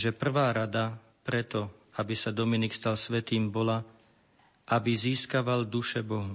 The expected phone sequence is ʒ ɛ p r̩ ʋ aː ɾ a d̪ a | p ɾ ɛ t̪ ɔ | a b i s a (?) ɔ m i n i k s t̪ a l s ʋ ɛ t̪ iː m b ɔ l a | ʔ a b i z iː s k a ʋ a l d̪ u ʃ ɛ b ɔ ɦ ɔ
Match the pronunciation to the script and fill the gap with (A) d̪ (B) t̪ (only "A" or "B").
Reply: A